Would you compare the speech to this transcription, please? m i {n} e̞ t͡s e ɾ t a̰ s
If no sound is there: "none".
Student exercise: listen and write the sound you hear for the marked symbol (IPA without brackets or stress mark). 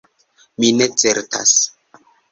n